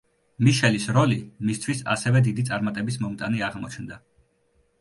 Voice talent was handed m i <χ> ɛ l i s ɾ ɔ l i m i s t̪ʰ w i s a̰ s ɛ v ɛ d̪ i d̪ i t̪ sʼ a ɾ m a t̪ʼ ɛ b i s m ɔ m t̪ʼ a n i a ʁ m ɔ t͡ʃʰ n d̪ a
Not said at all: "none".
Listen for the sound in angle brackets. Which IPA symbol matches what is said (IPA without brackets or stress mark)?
ʃ